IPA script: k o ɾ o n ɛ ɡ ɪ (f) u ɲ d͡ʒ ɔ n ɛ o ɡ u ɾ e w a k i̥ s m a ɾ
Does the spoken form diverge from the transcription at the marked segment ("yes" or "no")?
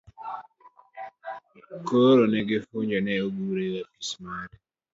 no